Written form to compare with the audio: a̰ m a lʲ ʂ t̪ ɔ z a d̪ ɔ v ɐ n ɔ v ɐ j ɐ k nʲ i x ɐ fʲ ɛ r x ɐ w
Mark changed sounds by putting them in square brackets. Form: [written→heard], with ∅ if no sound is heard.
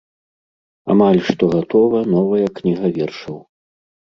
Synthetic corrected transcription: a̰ m a lʲ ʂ t̪ ɔ [z→ɣ] a [d̪→t̪] ɔ v ɐ n ɔ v ɐ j ɐ k nʲ i [x→ɣ] ɐ [fʲ→vʲ] ɛ r [x→ʂ] ɐ w